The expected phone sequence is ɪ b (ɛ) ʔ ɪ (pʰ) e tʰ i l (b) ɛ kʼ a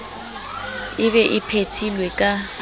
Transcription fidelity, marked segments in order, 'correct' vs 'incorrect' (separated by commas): correct, correct, incorrect